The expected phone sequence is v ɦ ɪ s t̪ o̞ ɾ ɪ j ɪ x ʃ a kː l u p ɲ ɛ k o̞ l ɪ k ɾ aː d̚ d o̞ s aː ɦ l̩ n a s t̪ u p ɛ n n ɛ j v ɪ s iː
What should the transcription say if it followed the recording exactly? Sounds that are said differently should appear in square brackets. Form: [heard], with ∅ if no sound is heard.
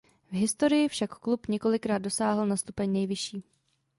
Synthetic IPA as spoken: v ɦ ɪ s t̪ o̞ ɾ ɪ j ɪ [f] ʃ a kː l u p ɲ ɛ k o̞ l ɪ k ɾ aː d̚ d o̞ s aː ɦ l̩ n a s t̪ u p ɛ [ɲ] n ɛ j v ɪ [ʃ] iː

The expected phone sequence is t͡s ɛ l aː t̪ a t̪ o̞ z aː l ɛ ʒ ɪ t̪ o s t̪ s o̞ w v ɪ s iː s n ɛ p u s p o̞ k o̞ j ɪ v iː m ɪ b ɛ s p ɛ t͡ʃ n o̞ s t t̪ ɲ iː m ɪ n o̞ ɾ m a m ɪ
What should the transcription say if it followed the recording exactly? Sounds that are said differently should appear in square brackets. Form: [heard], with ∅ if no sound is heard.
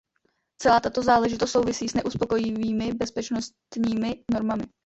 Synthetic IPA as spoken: t͡s ɛ l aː t̪ a t̪ o̞ z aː l ɛ ʒ ɪ t̪ o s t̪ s o̞ w v ɪ s iː s n ɛ [ʔ] u s p o̞ k o̞ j ɪ v iː m ɪ b ɛ s p ɛ t͡ʃ n o̞ s t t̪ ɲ iː m ɪ n o̞ ɾ m a m ɪ

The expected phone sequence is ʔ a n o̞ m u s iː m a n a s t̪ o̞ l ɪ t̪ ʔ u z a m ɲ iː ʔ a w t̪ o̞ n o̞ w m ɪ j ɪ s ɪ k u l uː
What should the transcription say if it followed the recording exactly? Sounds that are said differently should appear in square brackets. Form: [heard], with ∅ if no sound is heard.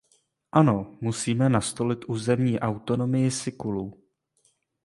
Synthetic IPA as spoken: ʔ a n o̞ m u s iː m [ɛ] n a s t̪ o̞ l ɪ t̪ ʔ [uː] z [ɛ] m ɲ iː ʔ a w t̪ o̞ n o̞ [∅] m ɪ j ɪ s ɪ k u l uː

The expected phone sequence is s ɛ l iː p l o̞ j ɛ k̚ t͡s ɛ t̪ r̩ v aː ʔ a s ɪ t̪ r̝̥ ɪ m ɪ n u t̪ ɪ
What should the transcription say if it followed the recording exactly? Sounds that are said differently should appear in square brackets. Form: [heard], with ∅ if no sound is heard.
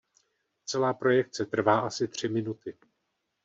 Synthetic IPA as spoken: [t͡s] ɛ l [aː] p [ɾ] o̞ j ɛ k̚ t͡s ɛ t̪ r̩ v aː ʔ a s ɪ t̪ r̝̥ ɪ m ɪ n u t̪ ɪ

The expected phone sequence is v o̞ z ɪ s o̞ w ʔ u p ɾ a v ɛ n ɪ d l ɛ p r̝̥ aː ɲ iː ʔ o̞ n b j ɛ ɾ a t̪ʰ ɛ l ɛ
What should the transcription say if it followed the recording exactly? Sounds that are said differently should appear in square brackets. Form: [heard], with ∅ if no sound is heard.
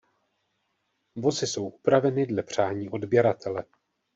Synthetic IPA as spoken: v o̞ z ɪ s o̞ w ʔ u p ɾ a v ɛ n ɪ d l ɛ p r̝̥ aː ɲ iː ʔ o̞ [d] b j ɛ ɾ a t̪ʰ ɛ l ɛ

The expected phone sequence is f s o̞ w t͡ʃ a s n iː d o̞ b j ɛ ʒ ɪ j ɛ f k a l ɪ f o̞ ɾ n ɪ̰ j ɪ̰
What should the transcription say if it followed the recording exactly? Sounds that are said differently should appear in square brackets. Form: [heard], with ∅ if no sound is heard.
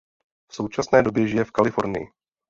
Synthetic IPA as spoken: f s o̞ w t͡ʃ a s n [ɛː] d o̞ b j ɛ ʒ ɪ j ɛ f k a l ɪ f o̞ ɾ n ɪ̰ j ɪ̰

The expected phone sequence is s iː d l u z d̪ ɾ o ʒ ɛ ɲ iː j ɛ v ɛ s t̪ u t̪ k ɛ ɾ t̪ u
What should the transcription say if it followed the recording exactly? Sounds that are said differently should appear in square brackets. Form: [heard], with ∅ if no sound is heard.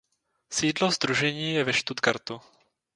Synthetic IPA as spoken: s iː d l [o] z d̪ ɾ [u] ʒ ɛ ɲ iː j ɛ v ɛ [ʃ] t̪ u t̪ k [a] ɾ t̪ u

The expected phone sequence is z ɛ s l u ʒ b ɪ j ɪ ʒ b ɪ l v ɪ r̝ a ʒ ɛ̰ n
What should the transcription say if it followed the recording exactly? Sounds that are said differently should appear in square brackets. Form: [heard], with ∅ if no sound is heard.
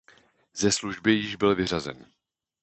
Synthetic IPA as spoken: z ɛ s l u ʒ b ɪ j ɪ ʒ b ɪ l v ɪ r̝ a [z] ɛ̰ n

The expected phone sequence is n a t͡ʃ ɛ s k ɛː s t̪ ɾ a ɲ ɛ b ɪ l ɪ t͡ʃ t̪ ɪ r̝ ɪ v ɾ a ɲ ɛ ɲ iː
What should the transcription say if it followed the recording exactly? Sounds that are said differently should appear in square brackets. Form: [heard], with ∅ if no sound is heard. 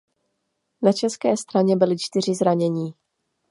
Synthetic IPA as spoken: n a t͡ʃ ɛ s k ɛː s t̪ ɾ a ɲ ɛ b ɪ l ɪ t͡ʃ t̪ ɪ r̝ ɪ [z] ɾ a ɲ ɛ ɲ iː

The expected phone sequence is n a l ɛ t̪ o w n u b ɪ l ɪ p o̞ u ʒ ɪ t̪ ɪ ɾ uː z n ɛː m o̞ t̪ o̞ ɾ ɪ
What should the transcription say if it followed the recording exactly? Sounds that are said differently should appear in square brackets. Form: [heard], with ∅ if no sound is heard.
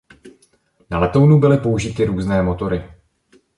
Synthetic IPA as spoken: n a l ɛ t̪ o w n u b ɪ l ɪ p o̞ u ʒ ɪ t̪ ɪ ɾ uː z n ɛː m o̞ t̪ o̞ ɾ ɪ

